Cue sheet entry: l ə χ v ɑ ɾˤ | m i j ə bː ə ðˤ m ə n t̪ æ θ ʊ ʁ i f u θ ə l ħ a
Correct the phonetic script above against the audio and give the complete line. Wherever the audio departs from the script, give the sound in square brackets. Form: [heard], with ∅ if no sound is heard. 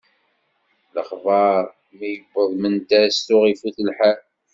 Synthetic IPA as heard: l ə χ v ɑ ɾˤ | m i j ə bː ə ðˤ m ə n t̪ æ [s] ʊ ʁ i f u θ ə l ħ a